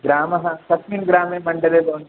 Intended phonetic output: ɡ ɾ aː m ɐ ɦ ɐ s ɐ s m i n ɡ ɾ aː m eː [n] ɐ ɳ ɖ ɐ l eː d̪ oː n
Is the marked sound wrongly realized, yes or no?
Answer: yes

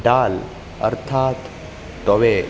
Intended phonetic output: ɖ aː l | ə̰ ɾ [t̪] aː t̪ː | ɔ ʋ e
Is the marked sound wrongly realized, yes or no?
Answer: yes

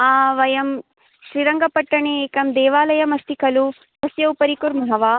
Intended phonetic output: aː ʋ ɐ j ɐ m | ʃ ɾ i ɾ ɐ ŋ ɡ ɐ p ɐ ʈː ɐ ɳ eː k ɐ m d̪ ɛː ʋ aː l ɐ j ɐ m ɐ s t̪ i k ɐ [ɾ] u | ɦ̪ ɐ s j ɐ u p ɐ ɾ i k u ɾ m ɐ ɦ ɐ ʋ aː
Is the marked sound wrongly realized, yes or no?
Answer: yes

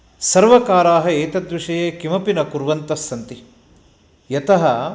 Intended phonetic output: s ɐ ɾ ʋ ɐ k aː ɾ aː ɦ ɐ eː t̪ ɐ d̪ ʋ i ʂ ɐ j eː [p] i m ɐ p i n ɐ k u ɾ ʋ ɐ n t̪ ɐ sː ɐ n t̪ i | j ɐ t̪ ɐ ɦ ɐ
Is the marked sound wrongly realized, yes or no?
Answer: yes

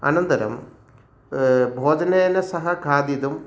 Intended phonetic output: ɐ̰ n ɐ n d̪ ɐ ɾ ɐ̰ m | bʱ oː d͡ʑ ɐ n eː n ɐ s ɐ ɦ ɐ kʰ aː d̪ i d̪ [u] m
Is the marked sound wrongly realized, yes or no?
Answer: no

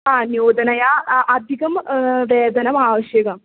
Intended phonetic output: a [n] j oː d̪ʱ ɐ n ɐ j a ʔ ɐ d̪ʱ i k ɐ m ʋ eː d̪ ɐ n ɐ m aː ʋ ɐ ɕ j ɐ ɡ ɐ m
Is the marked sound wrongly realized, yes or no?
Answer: no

